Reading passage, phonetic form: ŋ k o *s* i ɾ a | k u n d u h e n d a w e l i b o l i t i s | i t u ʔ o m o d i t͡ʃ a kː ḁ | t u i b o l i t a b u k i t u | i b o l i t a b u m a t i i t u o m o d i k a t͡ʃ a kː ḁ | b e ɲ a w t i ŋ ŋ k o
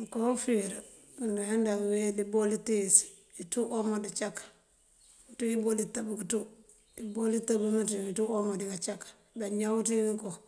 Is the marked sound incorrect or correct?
incorrect